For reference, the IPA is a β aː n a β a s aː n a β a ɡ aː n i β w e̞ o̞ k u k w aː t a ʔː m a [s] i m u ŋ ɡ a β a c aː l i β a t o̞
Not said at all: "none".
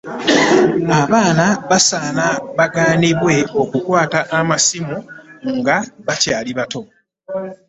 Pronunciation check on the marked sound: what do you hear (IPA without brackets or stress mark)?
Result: s